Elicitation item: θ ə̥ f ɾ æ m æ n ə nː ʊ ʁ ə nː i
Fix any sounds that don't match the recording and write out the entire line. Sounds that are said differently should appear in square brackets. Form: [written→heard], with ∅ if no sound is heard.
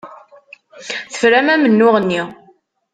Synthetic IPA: θ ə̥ f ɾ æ m æ [n→m] ə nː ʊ ʁ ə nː i